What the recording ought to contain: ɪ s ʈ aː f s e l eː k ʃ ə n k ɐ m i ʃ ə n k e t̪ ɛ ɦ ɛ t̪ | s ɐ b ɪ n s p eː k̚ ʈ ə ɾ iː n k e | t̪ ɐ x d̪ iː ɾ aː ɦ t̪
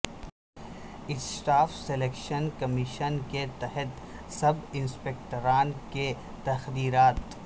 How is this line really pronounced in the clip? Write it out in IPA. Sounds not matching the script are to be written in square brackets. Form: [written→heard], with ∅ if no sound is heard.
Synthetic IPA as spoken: ɪ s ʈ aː f s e l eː k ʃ ə n k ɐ m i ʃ ə n k e t̪ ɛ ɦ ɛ t̪ | s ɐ b ɪ n s p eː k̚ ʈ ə ɾ [iː→aː] n k e | t̪ ɐ x d̪ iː ɾ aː [ɦ→∅] t̪